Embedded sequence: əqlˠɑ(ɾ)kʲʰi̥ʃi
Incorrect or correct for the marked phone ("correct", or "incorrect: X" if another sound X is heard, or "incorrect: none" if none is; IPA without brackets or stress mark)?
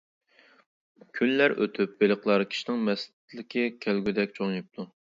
correct